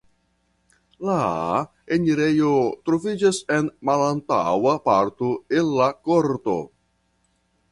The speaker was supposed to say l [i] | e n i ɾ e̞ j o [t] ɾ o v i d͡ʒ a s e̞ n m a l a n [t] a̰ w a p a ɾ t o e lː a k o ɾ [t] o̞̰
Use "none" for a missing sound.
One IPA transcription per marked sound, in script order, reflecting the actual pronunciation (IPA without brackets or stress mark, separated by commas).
a, t, t, t